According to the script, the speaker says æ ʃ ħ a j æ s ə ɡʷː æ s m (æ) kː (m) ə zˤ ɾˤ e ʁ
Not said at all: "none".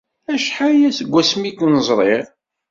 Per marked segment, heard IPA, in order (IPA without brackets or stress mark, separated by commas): i, n